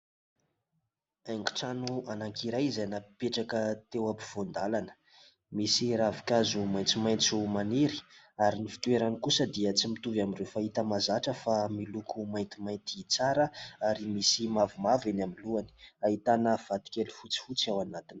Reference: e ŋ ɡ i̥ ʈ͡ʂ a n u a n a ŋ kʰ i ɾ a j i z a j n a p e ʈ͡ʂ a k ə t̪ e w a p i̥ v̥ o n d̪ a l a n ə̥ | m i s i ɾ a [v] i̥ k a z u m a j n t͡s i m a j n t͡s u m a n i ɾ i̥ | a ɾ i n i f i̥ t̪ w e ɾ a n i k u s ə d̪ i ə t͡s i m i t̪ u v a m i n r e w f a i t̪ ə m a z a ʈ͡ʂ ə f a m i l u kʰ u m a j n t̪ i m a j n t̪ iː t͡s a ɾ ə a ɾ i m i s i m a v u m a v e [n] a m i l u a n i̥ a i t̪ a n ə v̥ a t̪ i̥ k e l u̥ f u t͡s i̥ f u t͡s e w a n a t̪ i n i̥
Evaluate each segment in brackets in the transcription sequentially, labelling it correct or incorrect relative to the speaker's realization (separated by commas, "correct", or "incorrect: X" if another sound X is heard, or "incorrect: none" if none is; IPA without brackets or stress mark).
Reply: correct, correct